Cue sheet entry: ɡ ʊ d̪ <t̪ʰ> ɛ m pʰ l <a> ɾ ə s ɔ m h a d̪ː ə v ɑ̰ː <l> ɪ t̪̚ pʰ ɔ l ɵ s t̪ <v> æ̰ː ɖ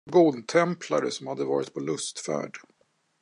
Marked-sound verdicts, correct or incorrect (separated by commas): correct, correct, incorrect, incorrect